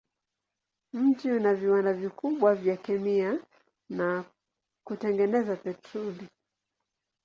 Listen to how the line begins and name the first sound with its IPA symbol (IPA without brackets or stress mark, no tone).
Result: m̩